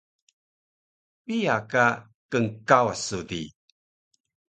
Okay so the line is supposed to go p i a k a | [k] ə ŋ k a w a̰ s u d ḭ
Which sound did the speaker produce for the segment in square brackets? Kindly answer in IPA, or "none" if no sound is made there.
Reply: k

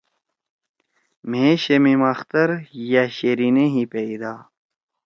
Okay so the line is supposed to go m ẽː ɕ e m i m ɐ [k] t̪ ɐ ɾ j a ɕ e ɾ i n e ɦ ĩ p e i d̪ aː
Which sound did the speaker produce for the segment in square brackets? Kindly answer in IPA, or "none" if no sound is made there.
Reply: x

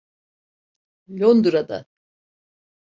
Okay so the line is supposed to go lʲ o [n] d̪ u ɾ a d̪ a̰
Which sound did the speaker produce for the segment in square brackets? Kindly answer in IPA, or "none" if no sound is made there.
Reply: n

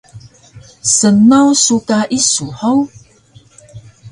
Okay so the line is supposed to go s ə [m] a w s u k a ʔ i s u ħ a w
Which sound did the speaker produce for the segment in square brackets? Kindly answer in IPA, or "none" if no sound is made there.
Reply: n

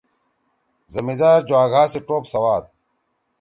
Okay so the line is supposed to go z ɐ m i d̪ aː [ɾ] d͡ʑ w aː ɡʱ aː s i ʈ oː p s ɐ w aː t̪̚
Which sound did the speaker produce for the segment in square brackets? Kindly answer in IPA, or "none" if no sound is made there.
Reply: ɾ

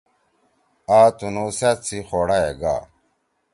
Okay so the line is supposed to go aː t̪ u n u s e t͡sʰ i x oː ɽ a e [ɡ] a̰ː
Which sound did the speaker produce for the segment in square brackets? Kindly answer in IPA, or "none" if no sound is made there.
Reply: ɡ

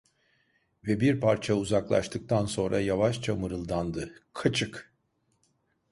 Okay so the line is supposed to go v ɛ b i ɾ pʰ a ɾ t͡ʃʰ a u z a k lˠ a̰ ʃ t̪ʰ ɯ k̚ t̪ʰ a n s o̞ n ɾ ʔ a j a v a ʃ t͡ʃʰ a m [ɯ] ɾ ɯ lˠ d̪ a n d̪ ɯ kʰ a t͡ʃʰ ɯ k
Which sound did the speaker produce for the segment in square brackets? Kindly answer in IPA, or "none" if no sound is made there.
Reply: ɯ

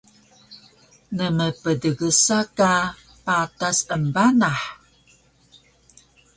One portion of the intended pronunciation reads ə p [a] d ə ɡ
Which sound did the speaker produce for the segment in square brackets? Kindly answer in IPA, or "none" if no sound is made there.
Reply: ə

